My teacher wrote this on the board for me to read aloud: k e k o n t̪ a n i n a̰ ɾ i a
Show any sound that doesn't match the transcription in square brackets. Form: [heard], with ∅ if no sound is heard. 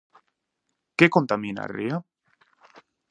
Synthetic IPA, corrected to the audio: k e k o n t̪ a [m] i n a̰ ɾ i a